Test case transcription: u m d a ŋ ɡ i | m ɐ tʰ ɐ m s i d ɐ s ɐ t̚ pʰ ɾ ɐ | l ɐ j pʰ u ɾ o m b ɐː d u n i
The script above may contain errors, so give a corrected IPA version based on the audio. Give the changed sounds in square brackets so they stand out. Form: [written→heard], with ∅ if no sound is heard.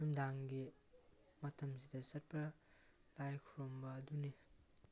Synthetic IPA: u m d a ŋ ɡ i | m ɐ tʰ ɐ m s i d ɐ s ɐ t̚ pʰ ɾ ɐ | l [ɐ→a] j [pʰ→kʰ] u ɾ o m b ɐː d u n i